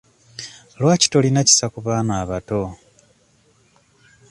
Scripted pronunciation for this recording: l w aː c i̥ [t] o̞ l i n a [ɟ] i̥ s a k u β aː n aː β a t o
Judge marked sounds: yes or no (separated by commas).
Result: yes, no